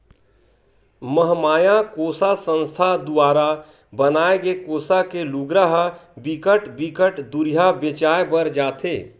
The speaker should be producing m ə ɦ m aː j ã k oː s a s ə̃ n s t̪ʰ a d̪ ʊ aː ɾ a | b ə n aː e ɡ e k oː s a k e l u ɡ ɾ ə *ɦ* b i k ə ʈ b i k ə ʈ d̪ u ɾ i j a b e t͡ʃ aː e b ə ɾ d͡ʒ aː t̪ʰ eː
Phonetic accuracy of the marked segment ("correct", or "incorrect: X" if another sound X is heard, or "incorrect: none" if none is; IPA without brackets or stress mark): correct